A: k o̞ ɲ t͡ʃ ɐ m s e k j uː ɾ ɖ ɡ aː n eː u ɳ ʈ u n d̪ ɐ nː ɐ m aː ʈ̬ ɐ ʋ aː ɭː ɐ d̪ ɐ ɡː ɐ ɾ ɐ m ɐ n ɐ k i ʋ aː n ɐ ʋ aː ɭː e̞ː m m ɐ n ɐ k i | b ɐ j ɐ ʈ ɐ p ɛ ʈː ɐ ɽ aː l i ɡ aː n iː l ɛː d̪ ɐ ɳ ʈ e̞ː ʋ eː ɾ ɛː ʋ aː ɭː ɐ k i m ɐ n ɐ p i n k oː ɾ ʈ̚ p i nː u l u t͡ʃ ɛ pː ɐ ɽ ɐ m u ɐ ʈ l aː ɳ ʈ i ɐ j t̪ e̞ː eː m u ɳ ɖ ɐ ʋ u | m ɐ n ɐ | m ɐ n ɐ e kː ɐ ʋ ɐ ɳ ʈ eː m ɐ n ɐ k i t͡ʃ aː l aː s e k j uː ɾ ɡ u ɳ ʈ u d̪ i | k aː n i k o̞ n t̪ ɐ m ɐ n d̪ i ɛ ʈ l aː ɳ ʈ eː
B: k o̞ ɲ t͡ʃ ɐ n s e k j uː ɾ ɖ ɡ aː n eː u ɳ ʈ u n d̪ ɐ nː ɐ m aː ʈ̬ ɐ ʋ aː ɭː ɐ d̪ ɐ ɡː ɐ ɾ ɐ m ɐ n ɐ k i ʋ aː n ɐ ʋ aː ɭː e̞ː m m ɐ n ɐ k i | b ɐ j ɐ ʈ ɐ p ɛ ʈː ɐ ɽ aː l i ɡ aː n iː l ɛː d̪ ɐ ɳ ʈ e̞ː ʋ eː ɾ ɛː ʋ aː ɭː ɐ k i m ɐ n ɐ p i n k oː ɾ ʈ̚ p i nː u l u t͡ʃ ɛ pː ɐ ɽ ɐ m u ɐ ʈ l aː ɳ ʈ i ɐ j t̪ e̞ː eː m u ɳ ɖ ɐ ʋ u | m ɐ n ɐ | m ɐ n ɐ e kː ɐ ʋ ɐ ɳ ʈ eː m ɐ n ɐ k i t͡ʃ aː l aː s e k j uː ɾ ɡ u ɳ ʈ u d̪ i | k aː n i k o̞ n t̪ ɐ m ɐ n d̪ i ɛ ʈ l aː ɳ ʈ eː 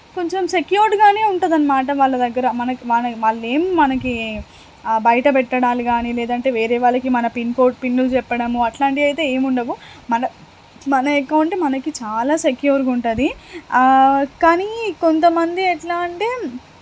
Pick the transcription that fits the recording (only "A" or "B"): A